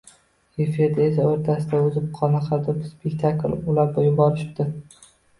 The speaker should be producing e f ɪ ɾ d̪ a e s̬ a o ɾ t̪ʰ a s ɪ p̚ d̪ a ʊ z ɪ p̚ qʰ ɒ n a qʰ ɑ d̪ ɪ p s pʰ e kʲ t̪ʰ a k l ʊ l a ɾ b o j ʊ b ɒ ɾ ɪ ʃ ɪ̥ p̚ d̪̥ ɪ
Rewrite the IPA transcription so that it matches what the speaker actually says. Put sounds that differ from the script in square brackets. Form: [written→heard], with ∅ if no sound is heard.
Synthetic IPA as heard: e f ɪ ɾ d̪ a e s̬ a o ɾ t̪ʰ a s ɪ [p̚→∅] d̪ a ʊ z ɪ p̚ qʰ ɒ n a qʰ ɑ d̪ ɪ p s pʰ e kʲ t̪ʰ a k l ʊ l a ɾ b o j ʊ b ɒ ɾ ɪ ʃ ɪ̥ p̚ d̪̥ ɪ